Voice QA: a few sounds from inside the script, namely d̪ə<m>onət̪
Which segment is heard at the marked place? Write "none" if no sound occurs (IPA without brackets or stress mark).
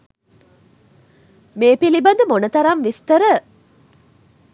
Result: m